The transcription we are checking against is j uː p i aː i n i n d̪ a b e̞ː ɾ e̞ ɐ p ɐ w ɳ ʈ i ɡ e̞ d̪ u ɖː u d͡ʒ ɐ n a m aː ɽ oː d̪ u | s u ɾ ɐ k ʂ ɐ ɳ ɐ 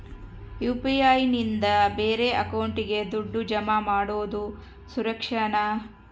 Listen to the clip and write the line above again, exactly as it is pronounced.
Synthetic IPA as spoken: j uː p i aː j n i n d̪ ɐ b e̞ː ɾ e̞ ɐ k ɐ w ɳ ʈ i ɡ e̞ d̪ u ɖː u d͡ʒ ɐ m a m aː ɽ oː d̪ u | s u ɾ ɐ k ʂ ɐ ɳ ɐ

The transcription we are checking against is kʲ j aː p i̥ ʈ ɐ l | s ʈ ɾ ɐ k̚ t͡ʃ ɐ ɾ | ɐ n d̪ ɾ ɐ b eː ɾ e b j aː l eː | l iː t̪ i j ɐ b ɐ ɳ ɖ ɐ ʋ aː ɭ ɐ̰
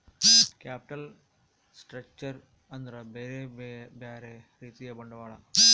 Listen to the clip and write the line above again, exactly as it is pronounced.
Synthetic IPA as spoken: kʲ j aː p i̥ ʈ ɐ l | s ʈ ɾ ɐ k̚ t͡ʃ ɐ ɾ | ɐ n d̪ ɾ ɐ b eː ɾ e b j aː ɾ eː | ɾ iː t̪ i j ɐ b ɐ ɳ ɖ ɐ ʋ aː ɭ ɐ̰

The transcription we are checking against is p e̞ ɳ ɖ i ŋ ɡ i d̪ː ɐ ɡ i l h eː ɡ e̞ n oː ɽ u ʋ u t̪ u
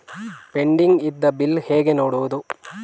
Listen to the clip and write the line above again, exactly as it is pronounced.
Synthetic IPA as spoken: p e̞ ɳ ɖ i ŋ ɡ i d̪ː ɐ b i l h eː ɡ e̞ n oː ɽ u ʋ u d̪ u

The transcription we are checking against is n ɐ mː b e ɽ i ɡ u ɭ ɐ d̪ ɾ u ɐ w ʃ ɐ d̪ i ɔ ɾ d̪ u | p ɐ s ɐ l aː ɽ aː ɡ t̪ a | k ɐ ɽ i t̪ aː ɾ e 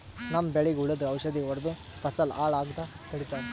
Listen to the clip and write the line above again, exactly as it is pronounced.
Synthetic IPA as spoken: n ɐ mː b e ɭ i ɡ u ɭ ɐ d̪ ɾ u ɐ w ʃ ɐ d̪ i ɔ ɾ d̪ u | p ɐ s ɐ l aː ɭ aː ɡ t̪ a | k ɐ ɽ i t̪ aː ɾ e

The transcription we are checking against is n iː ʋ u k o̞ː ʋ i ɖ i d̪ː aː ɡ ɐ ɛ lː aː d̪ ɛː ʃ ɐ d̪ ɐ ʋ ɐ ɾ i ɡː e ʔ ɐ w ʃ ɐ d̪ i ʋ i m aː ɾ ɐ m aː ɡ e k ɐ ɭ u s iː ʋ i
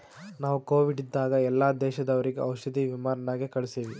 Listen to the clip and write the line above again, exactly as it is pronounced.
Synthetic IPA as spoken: n aː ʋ u k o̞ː ʋ i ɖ i d̪ː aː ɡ ɐ ɛ lː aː d̪ ɛː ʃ ɐ d̪ ɐ ʋ ɐ ɾ i ɡ e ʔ ɐ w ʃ ɐ d̪ i ʋ i m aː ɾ ɐ n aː ɡ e k ɐ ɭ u s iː ʋ i

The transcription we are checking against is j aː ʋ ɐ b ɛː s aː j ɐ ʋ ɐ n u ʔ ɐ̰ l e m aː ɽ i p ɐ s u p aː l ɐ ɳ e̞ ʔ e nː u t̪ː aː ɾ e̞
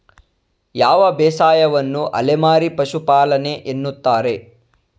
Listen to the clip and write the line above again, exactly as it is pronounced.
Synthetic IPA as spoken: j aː ʋ ɐ b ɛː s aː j ɐ ʋ ɐ nː u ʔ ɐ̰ l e m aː ɾ i p ɐ ʃ u p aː l ɐ n e̞ ʔ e nː u t̪ː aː ɾ e̞

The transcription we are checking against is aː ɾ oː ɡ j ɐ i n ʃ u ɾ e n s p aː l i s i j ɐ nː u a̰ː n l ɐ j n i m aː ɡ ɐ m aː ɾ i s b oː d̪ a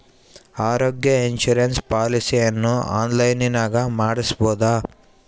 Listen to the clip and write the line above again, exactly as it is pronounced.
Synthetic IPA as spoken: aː ɾ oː ɡ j ɐ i n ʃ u ɾ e n s p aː l i s i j ɐ nː u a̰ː n l ɐ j n i n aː ɡ ɐ m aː ɽ i s b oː d̪ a

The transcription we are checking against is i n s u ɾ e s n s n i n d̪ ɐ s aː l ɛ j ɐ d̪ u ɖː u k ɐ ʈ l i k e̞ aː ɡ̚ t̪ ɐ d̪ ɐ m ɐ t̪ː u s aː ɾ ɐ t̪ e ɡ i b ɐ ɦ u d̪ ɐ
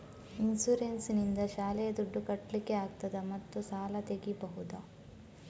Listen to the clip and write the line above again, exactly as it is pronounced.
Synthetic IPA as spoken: i n s u ɾ e n s n i n d̪ ɐ ʃ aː l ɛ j ɐ d̪ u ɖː u k ɐ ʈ l i k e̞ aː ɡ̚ t̪ ɐ d̪ ɐ m ɐ t̪ː u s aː l ɐ t̪ e ɡ i b ɐ ɦ u d̪ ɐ

